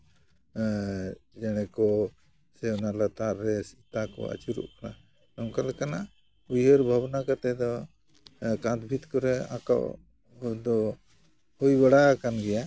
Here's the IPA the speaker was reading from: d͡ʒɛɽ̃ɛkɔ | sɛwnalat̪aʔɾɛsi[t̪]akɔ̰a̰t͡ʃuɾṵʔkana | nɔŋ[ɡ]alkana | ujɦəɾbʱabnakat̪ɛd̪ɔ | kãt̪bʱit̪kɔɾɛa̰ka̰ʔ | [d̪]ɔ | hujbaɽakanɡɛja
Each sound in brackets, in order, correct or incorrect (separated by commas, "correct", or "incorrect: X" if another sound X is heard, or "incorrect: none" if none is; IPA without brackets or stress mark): correct, incorrect: k, correct